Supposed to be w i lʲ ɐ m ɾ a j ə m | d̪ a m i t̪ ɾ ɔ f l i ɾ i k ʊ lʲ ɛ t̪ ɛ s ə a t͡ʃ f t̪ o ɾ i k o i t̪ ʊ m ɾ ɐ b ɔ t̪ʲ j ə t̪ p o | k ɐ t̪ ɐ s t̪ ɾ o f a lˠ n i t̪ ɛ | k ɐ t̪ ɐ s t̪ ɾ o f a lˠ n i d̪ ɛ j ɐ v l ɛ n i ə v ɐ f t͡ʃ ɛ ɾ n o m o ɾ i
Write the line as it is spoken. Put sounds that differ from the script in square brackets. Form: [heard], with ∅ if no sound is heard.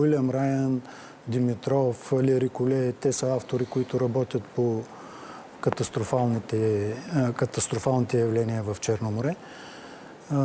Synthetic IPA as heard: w i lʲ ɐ m ɾ a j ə [n] | d̪ [i] m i t̪ ɾ ɔ f l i ɾ i k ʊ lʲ ɛ t̪ ɛ s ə a [∅] f t̪ o ɾ i k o i t̪ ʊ [∅] ɾ ɐ b ɔ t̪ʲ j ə t̪ p o | k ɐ t̪ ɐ s t̪ ɾ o f a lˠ n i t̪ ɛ | k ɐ t̪ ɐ s t̪ ɾ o f a lˠ n i [t̪] ɛ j ɐ v l ɛ n i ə v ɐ f t͡ʃ ɛ ɾ n o m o ɾ [ɛ]